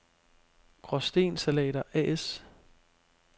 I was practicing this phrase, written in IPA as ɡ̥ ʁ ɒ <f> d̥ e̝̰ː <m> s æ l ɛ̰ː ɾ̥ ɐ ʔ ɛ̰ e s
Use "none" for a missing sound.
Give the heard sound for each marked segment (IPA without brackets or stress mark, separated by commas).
s, n